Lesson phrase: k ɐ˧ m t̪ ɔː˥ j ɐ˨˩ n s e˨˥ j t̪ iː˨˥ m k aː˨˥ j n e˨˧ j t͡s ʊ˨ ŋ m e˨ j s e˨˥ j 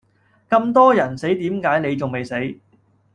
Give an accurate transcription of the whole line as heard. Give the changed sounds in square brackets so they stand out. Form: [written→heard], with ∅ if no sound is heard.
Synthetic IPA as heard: k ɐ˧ m t̪ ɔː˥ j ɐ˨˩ n s e˨˥ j t̪ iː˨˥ m k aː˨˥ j n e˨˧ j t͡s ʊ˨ ŋ m e˨ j s e˨˥ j